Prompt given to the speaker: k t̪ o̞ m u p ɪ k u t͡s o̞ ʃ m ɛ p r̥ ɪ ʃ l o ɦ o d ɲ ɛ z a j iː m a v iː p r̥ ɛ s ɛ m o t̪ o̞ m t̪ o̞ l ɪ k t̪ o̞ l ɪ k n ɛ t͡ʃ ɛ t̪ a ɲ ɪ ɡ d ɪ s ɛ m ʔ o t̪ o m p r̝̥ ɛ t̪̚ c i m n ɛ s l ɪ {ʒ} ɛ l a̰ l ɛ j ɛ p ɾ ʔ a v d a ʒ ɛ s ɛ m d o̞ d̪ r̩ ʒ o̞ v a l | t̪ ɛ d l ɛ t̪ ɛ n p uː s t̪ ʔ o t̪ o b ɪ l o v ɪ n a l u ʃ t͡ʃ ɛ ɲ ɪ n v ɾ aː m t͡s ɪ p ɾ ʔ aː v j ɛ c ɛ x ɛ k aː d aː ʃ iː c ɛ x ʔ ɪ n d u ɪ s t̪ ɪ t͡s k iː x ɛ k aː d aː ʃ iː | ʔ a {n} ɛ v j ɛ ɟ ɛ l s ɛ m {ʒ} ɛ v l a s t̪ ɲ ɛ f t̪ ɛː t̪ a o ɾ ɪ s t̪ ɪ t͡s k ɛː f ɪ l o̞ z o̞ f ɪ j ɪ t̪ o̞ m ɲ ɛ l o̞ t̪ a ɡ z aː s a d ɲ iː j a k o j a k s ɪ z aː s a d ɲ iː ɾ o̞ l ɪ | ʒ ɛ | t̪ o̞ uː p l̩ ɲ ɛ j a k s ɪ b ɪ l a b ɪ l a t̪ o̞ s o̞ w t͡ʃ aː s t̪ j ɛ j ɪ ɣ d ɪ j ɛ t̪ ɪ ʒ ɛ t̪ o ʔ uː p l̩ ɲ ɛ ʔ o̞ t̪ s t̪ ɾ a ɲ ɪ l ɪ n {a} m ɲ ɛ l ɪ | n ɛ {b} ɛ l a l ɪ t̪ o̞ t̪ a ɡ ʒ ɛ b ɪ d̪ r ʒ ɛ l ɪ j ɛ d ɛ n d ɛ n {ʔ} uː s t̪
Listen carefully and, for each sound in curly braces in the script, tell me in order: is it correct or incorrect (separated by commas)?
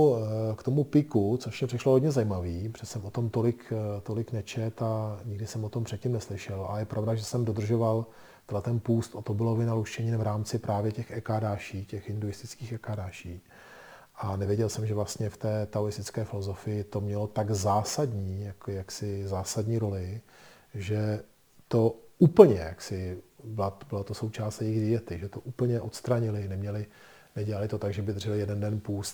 incorrect, correct, correct, incorrect, incorrect, incorrect